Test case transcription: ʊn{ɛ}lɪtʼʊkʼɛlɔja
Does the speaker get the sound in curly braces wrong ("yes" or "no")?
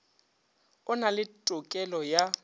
yes